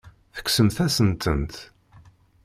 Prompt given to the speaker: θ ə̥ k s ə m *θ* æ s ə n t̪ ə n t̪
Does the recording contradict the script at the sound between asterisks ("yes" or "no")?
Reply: no